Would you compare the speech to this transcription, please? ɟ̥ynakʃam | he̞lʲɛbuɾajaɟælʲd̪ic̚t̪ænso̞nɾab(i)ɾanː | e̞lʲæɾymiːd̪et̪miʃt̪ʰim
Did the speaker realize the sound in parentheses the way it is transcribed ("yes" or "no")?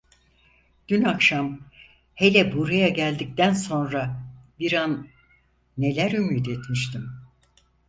yes